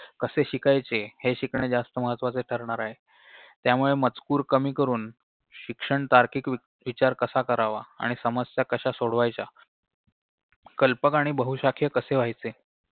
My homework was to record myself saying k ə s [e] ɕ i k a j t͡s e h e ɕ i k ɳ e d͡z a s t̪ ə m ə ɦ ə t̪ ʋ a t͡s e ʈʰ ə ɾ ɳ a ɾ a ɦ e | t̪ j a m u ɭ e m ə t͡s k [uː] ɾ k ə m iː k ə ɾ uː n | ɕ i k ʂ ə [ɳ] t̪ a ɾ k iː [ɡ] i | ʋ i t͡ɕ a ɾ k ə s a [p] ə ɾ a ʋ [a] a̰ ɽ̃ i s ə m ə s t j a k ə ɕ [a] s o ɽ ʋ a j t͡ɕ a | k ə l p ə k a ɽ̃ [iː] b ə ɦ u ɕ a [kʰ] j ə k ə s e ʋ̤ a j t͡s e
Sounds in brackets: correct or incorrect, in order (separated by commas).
correct, correct, correct, incorrect, incorrect, correct, correct, incorrect, correct